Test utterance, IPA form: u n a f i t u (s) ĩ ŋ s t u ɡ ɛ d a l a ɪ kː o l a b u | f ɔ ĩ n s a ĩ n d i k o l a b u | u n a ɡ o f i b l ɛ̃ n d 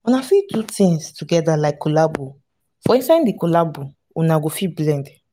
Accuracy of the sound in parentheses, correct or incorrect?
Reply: incorrect